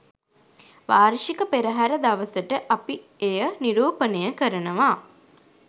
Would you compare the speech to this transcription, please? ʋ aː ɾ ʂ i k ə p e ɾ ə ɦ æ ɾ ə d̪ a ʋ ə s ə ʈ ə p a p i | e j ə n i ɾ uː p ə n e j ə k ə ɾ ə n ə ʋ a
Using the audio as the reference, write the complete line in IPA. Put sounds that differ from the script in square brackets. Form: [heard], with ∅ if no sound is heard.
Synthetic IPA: ʋ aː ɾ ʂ i k ə p e ɾ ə ɦ æ ɾ ə d̪ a ʋ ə s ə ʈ ə [ʔ] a p i | e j ə n i ɾ uː p ə n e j ə k ə ɾ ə n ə ʋ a